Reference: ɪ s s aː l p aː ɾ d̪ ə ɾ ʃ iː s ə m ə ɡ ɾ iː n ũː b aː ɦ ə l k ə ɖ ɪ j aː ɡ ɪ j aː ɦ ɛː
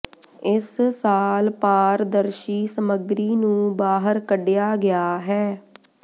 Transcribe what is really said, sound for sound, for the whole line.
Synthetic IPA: ɪ s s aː l p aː ɾ d̪ ə ɾ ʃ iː s ə m ə ɡ ɾ iː n ũː b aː ɦ ə ɾ k ə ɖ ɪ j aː ɡ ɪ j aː ɦ ɛː